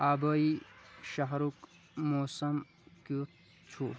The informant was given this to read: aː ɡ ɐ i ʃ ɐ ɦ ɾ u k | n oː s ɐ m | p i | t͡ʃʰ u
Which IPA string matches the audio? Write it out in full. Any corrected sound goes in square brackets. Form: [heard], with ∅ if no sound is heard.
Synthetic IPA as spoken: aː [b] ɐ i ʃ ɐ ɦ ɾ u k | [m] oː s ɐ m | [k] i | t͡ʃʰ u